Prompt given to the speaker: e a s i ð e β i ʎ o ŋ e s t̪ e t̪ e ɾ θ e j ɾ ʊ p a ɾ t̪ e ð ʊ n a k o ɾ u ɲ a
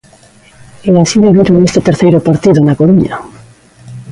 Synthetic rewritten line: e a s i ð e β i ɾ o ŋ e s t̪ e t̪ e ɾ θ e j ɾ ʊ p a ɾ t̪ i ð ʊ n a k o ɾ u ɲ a